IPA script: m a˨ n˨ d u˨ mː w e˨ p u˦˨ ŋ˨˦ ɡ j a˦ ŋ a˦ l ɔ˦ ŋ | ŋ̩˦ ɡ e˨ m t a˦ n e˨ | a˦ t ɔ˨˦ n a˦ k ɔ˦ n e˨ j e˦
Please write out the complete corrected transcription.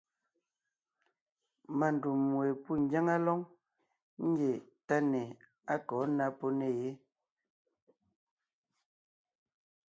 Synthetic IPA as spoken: m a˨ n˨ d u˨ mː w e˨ p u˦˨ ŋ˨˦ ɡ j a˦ ŋ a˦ l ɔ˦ ŋ | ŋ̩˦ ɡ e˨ t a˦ n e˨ | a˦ k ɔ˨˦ n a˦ p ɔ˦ n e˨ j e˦